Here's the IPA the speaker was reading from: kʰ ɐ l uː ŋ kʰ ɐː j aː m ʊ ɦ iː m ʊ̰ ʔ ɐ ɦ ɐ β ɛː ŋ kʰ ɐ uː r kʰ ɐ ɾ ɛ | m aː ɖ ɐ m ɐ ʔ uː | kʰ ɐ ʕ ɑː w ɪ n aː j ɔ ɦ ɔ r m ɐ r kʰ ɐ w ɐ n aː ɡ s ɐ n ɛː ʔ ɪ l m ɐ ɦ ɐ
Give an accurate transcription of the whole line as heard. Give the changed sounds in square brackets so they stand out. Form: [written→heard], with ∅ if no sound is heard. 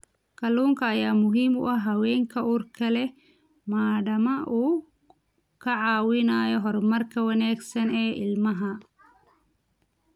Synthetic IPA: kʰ ɐ l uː ŋ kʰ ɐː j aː m ʊ ɦ iː m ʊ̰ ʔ ɐ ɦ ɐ [β→w] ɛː ŋ kʰ ɐ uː r kʰ ɐ [ɾ→l] ɛ | m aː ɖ ɐ m ɐ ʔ uː | kʰ ɐ ʕ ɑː w ɪ n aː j ɔ ɦ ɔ r m ɐ r kʰ ɐ w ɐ n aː ɡ s ɐ n ɛː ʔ ɪ l m ɐ ɦ ɐ